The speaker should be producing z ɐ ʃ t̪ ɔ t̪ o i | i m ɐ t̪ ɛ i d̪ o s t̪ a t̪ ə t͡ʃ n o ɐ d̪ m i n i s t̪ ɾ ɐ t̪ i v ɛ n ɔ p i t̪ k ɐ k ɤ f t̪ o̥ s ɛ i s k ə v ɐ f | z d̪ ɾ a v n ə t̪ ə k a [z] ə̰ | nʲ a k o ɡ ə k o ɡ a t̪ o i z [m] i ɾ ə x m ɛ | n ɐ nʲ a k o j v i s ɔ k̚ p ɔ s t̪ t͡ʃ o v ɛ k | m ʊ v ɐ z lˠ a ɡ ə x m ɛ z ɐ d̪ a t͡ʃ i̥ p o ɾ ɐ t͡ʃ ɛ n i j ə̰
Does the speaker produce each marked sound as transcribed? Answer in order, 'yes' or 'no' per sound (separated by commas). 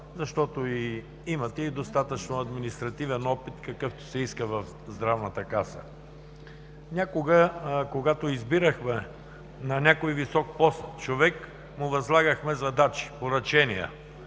no, no